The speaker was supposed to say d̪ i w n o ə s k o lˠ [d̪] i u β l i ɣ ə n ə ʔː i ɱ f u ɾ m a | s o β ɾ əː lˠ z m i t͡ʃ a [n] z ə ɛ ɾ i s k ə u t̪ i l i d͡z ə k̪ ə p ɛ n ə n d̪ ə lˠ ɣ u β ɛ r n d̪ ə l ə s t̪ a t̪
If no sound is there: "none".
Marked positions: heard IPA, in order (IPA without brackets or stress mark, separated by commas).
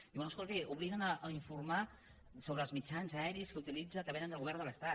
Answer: t̪, n